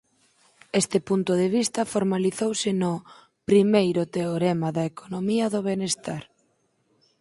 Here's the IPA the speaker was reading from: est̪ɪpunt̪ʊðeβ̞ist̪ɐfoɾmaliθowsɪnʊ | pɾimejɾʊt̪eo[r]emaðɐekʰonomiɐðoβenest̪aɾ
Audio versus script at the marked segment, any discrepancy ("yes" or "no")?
yes